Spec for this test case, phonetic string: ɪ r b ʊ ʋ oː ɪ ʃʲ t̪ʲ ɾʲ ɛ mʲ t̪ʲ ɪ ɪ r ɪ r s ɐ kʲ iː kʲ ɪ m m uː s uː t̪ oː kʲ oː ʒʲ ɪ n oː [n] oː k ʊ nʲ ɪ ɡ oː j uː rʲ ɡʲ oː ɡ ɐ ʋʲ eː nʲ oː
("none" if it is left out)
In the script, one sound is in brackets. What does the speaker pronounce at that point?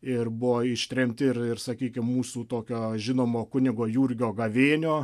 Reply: m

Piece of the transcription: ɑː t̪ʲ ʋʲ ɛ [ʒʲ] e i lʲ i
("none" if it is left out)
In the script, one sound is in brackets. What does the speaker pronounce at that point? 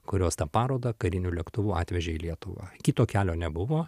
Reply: ʒʲ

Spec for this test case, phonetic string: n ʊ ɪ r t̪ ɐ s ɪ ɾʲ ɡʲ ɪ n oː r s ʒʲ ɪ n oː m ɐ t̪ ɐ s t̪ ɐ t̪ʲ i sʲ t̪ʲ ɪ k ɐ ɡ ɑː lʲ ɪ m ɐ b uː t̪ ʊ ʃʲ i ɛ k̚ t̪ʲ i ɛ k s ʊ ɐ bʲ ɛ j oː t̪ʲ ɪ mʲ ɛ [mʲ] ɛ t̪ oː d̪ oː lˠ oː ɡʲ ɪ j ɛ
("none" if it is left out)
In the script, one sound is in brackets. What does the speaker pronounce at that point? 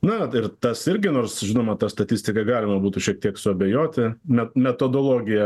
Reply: mʲ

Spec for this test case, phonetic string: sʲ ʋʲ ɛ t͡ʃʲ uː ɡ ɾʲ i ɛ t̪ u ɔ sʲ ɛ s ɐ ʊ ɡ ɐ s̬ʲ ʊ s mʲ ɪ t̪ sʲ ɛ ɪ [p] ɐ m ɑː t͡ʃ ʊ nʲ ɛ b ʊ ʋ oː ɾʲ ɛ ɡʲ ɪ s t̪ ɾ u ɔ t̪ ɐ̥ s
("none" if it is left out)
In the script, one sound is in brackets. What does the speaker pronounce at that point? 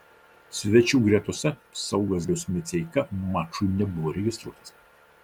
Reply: k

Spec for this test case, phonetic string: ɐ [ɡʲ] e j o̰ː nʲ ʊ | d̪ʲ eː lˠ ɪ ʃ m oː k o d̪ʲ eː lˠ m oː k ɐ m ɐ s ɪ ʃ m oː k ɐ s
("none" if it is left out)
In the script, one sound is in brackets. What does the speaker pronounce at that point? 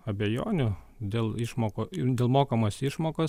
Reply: bʲ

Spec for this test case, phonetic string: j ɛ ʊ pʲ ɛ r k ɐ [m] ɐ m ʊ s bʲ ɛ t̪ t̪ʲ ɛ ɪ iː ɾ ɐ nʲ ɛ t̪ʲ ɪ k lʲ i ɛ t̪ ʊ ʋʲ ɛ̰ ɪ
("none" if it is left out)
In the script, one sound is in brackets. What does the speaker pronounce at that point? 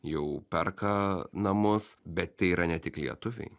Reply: n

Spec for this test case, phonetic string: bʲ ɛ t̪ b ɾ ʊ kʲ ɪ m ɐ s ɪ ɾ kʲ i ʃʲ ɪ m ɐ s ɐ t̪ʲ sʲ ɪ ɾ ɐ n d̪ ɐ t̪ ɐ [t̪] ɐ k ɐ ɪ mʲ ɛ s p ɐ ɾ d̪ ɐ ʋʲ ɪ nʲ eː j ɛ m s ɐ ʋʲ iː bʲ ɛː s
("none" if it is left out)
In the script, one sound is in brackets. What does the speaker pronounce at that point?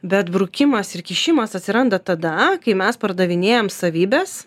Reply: d̪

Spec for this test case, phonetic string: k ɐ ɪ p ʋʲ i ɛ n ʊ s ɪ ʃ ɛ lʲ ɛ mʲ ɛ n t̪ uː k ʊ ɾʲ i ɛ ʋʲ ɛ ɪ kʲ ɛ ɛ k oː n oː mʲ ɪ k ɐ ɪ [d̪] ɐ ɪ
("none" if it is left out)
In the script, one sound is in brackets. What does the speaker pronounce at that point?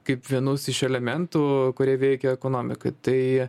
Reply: t̪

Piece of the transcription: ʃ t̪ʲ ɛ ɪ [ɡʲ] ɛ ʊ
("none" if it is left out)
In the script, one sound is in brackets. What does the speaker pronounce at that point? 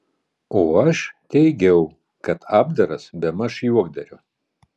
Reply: ɡʲ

